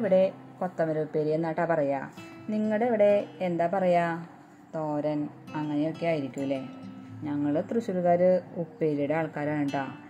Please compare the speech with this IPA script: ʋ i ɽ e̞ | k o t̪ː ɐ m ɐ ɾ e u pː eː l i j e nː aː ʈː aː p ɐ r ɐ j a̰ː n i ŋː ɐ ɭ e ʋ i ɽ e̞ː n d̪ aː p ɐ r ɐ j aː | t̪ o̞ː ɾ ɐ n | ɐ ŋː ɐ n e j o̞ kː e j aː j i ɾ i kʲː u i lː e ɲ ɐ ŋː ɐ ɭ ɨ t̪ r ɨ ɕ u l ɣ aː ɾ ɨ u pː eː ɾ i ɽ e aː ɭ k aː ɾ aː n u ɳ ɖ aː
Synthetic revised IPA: ʋ i ɽ e̞ | k o t̪ː ɐ m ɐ ɾ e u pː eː ɾ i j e nː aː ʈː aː p ɐ r ɐ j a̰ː n i ŋː ɐ ɭ e ʋ i ɽ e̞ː n d̪ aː p ɐ r ɐ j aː | t̪ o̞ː ɾ ɐ n | ɐ ŋː ɐ n e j o̞ kː e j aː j i ɾ i kʲː u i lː e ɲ ɐ ŋː ɐ ɭ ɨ t̪ r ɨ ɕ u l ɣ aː ɾ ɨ u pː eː ɾ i ɽ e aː ɭ k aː ɾ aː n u ɳ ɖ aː